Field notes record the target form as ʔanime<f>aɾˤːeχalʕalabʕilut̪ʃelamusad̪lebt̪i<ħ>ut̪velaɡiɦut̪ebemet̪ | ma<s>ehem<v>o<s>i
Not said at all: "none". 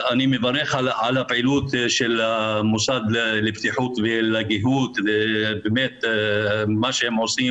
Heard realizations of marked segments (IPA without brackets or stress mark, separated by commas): v, ħ, ʃ, ʕ, s